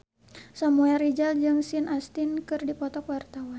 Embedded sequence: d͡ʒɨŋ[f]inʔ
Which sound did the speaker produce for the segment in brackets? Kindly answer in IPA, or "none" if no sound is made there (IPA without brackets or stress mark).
s